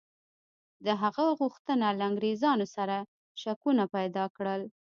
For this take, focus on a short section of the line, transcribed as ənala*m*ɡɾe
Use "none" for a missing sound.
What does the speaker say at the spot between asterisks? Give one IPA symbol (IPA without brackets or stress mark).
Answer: ŋ